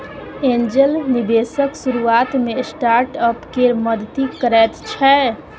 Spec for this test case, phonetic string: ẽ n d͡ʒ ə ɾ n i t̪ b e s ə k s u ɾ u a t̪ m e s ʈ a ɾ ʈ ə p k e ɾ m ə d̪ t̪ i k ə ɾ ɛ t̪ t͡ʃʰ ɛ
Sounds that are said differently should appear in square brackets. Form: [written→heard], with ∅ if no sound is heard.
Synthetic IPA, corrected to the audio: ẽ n d͡ʒ ə [ɾ→l] n i [t̪→∅] b e s ə k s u ɾ u a t̪ m e s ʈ a ɾ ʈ ə p k e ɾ m ə d̪ t̪ i k ə ɾ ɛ t̪ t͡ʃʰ ɛ